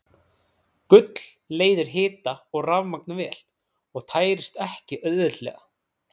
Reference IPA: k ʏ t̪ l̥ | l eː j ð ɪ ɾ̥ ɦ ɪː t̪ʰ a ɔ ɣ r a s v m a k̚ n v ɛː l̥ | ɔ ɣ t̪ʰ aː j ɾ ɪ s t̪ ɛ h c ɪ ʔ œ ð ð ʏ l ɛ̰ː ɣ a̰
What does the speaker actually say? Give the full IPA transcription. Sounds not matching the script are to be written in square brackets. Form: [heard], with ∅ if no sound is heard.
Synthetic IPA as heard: k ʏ t̪ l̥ | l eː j ð ɪ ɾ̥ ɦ ɪː [t̪] a ɔ ɣ r a [∅] v m a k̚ n v ɛː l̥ | ɔ ɣ t̪ʰ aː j ɾ ɪ s t̪ ɛ h c ɪ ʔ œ ð ð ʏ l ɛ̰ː ɣ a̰